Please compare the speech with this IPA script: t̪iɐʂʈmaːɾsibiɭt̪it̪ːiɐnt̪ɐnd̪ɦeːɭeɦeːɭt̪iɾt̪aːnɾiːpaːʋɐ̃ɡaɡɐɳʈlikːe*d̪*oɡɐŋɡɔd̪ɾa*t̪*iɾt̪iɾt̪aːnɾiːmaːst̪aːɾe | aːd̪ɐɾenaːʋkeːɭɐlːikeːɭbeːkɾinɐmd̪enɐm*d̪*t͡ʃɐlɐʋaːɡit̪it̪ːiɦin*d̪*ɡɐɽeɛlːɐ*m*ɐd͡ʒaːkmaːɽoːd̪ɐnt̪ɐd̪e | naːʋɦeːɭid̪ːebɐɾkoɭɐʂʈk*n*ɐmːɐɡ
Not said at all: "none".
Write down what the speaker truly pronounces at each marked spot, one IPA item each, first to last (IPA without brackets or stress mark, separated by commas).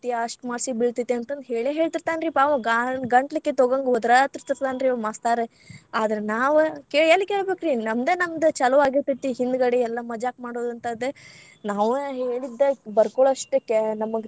t̪, t̪, d̪, d̪, m, n